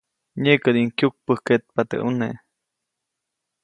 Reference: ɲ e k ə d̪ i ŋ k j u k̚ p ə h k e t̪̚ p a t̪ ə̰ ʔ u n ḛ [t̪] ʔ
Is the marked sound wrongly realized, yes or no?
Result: yes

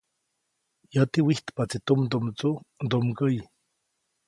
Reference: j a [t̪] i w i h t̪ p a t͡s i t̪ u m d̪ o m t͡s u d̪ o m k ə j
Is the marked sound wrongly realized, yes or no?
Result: no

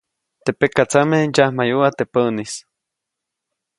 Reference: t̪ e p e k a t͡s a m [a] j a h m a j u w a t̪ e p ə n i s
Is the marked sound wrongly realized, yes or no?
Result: yes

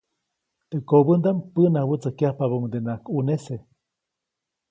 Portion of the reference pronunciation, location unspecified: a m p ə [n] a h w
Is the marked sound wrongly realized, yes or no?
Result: no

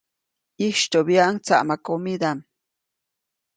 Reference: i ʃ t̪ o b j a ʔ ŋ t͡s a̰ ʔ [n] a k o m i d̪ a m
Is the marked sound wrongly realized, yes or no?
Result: yes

